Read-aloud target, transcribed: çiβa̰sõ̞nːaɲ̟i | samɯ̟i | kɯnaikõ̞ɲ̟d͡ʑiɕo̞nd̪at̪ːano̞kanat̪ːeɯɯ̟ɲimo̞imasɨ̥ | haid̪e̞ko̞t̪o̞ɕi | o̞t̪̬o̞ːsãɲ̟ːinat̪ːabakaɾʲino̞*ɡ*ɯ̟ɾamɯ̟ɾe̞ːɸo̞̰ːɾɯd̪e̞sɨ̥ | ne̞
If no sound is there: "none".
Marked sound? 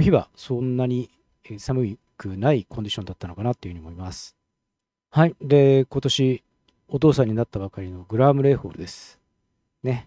ɡ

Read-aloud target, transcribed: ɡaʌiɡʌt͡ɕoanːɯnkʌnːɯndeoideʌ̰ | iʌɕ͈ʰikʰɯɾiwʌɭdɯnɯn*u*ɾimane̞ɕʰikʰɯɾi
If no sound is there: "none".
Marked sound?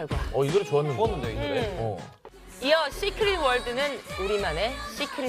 u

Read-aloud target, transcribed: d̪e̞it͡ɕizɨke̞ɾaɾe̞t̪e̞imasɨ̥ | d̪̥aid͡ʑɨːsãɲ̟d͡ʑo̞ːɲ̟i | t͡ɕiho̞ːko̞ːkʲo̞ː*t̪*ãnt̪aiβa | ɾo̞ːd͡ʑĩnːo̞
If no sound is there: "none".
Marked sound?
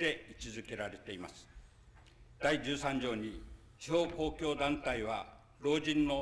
d̪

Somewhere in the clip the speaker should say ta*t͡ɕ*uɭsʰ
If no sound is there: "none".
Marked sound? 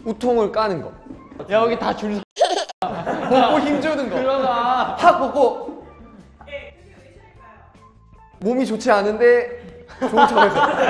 t͡ɕ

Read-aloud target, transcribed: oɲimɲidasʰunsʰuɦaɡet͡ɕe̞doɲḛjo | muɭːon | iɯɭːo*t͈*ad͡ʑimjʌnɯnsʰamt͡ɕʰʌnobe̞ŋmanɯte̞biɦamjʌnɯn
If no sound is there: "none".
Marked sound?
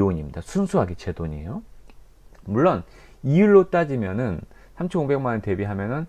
t͈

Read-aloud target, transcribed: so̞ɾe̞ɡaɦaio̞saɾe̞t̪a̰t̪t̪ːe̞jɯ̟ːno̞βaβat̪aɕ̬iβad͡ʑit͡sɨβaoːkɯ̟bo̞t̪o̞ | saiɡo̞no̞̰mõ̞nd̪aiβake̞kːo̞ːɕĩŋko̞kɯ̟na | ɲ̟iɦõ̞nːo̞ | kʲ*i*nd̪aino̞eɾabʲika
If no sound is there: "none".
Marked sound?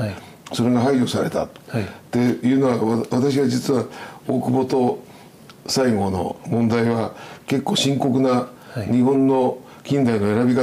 ĩ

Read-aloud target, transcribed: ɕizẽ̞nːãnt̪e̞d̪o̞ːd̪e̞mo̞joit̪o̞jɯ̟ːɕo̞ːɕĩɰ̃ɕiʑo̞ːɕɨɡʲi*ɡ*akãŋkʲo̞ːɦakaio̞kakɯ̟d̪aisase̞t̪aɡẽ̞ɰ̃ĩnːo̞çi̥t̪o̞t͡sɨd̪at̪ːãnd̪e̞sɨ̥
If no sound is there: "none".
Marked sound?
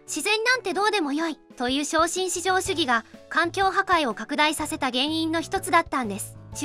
ɡ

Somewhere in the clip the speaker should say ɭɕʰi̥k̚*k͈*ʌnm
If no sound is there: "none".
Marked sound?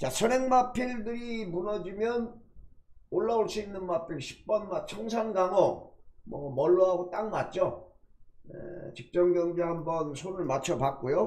p͈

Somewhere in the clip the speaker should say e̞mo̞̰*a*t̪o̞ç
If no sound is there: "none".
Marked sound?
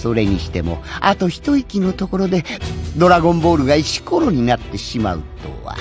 a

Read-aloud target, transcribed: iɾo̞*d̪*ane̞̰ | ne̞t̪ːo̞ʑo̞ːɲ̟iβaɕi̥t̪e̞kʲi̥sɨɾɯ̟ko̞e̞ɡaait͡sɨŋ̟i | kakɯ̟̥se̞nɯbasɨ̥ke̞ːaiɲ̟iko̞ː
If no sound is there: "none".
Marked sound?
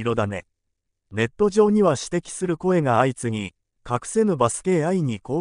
d̪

